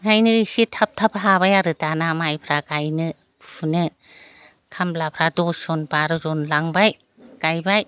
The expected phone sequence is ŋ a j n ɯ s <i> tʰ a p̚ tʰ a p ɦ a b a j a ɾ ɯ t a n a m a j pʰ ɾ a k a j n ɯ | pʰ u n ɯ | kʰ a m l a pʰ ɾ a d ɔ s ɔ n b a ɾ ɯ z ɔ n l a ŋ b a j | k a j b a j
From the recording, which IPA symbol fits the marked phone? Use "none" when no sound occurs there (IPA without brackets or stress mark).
i